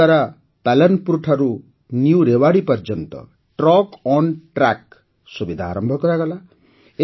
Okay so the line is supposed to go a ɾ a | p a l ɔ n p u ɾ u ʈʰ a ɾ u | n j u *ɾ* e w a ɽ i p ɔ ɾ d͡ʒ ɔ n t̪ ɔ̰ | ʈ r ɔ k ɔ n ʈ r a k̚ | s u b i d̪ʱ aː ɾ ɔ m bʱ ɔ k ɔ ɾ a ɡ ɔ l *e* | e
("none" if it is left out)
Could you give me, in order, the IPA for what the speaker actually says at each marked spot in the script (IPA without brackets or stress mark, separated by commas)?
ɾ, a